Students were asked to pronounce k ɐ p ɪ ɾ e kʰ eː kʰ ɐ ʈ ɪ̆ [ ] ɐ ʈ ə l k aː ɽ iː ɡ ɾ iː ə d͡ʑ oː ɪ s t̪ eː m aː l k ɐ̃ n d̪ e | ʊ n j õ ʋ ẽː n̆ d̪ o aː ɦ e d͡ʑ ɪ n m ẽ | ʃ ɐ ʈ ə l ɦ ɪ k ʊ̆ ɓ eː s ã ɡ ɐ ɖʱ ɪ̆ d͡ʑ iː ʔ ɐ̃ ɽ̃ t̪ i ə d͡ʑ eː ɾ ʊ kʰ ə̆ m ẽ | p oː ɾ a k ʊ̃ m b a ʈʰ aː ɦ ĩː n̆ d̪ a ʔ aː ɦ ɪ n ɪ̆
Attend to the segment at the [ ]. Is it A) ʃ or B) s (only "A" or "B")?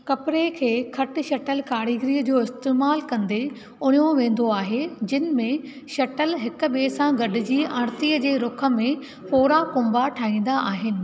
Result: A